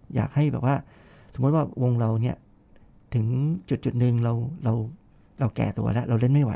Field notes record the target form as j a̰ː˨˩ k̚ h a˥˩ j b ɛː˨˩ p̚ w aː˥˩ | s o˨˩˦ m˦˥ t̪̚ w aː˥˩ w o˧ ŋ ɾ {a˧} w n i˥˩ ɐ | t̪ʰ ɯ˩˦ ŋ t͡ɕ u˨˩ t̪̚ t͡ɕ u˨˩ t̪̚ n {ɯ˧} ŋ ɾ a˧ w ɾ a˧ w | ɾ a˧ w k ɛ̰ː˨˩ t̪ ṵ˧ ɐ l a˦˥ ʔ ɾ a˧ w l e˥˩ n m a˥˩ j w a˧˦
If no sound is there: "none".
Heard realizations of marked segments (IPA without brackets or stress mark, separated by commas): a˧, ɯ˧